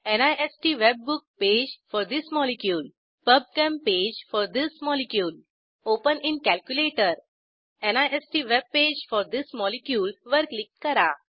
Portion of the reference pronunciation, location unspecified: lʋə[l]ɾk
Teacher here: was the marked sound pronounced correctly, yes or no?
no